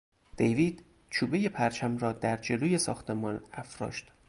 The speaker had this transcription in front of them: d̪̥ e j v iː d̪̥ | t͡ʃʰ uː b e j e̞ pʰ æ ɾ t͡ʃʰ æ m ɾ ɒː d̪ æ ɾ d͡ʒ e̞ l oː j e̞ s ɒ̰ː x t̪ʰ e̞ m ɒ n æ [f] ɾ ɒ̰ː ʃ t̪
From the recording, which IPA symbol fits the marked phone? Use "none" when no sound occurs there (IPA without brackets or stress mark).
f